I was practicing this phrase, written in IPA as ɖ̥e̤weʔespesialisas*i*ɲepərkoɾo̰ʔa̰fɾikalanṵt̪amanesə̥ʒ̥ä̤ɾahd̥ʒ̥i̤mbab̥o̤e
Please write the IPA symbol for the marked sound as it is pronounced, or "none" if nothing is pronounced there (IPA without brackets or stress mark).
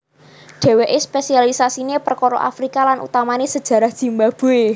i